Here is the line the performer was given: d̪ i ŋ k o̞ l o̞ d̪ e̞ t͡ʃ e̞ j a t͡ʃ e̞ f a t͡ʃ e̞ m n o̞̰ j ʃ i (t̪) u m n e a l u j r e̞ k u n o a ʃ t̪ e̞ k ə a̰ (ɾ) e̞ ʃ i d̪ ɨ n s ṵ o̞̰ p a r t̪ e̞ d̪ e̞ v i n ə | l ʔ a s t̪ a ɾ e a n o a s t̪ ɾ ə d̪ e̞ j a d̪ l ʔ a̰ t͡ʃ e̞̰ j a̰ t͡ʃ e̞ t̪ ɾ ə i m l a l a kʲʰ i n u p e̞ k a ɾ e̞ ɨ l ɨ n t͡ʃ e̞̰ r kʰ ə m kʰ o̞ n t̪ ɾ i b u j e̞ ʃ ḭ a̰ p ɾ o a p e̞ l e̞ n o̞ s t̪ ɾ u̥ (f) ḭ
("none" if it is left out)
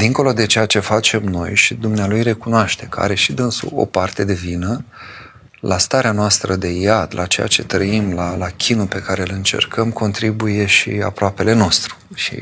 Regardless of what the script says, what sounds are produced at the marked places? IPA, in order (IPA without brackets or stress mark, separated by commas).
d̪, ɾ, ʃ